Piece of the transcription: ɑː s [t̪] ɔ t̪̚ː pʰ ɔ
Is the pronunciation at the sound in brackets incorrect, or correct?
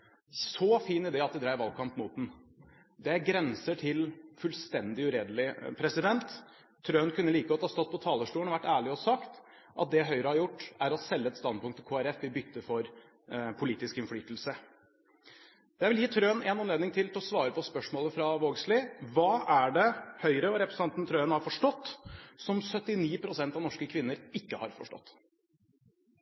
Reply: correct